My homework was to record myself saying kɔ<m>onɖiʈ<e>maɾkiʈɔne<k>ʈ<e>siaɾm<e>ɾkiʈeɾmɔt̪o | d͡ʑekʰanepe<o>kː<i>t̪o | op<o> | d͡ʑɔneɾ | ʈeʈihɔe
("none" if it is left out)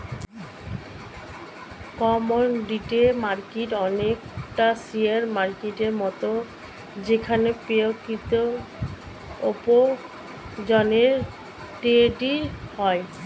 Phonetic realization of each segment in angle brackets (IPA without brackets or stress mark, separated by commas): m, e, k, a, a, o, i, o